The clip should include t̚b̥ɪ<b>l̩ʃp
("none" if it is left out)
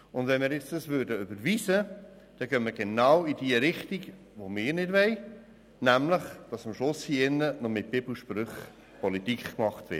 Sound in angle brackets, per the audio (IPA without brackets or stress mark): b